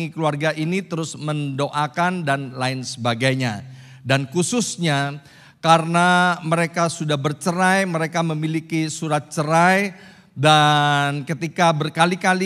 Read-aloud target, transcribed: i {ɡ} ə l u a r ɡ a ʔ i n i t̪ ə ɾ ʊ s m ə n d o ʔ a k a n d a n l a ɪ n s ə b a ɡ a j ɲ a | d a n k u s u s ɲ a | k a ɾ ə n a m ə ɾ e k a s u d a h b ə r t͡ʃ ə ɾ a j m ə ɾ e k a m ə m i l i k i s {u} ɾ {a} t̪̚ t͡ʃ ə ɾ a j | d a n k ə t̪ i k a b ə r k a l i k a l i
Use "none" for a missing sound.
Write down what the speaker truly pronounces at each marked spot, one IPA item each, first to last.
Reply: k, u, a

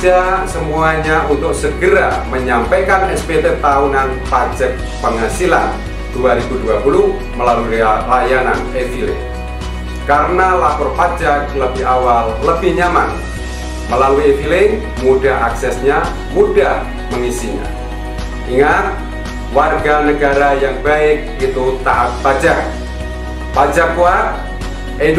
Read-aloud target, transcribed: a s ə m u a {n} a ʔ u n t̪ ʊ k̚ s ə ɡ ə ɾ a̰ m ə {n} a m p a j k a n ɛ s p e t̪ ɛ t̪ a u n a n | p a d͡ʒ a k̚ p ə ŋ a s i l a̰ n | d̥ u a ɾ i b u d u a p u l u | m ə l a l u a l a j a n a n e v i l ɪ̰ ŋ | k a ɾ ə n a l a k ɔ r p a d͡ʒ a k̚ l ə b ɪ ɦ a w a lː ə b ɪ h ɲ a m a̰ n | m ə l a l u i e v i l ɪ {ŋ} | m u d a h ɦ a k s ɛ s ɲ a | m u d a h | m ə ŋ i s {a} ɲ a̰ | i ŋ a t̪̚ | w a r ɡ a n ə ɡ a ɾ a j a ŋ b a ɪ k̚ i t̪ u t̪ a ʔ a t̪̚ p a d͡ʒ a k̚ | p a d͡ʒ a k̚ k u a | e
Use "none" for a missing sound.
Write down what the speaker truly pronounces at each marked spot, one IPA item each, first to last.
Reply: ɲ, ɲ, ŋ, i

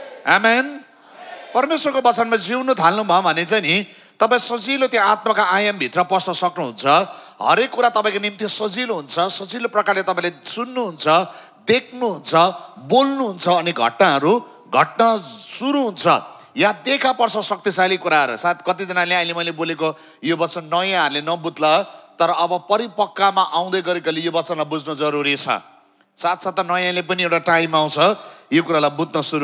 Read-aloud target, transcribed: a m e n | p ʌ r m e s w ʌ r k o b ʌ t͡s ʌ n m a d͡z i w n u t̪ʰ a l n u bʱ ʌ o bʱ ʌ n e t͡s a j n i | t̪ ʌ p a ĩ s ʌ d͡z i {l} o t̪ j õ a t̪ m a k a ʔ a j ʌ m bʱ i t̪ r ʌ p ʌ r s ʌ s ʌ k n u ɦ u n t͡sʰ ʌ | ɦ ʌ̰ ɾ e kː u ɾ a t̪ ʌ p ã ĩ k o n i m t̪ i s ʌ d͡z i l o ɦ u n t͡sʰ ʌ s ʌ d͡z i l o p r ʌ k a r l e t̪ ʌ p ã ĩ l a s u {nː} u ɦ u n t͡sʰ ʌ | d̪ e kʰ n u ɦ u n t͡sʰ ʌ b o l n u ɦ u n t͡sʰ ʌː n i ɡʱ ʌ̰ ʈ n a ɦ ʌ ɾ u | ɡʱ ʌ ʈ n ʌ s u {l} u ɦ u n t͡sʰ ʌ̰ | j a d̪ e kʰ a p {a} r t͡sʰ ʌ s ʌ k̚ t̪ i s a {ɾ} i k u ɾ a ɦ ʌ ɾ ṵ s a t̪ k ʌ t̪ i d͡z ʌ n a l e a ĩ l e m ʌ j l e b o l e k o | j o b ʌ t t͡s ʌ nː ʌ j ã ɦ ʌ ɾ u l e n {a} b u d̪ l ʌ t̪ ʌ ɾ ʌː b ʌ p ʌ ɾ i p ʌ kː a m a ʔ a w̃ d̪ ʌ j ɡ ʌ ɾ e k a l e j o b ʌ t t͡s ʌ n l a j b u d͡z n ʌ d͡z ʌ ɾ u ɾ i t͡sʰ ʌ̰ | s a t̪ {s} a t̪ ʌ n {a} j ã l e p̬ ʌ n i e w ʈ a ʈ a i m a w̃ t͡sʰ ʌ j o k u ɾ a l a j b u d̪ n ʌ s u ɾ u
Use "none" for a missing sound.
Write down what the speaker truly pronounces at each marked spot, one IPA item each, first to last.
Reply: l, nː, ɾ, ʌ, l, ʌ, s, ʌ

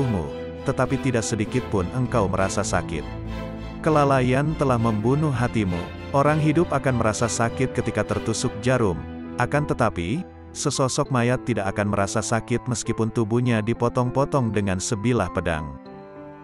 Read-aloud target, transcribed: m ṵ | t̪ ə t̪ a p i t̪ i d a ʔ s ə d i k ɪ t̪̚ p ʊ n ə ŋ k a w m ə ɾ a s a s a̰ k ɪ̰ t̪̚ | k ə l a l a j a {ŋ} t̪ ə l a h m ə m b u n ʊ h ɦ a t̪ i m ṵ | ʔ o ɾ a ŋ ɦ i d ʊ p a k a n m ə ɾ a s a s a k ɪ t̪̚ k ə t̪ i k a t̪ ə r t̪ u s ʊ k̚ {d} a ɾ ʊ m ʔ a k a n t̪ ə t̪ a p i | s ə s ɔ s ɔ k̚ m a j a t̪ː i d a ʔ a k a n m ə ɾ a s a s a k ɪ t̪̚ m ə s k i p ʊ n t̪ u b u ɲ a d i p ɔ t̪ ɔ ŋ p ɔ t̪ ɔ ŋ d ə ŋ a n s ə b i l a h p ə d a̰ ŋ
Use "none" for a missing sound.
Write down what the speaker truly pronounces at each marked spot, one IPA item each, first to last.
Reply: n, d͡ʒ

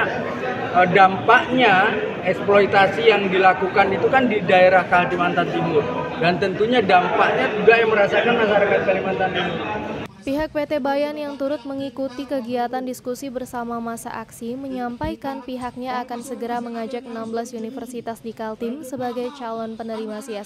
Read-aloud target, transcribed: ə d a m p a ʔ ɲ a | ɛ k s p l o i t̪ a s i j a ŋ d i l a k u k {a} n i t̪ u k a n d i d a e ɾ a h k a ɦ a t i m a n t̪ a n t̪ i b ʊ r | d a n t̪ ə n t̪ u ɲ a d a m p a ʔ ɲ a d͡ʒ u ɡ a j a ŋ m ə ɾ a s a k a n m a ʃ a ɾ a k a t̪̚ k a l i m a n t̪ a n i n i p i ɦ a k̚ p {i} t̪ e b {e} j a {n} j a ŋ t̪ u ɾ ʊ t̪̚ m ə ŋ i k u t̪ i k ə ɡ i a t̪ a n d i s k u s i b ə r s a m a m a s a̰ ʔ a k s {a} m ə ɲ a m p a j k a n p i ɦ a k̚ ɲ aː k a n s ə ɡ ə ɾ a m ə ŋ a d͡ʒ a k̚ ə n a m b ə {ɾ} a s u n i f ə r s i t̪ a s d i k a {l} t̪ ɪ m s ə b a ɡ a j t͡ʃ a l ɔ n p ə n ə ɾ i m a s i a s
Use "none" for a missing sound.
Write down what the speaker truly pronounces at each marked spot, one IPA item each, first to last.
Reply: a, e, a, n, i, l, l

